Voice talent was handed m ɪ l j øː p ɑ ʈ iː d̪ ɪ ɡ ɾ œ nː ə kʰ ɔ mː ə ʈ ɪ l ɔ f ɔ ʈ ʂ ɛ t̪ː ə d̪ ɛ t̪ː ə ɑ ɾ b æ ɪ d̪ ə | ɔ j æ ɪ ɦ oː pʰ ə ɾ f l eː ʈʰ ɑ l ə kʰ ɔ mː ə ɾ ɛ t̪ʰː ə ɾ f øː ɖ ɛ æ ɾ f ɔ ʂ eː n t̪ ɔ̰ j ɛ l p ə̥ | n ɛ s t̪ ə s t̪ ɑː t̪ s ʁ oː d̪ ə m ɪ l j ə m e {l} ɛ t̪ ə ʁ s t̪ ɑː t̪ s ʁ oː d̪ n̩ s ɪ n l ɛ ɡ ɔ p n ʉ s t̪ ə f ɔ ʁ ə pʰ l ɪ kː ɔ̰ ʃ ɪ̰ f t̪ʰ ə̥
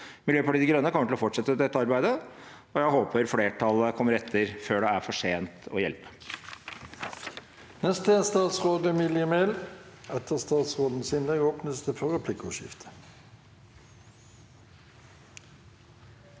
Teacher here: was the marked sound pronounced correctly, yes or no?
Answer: yes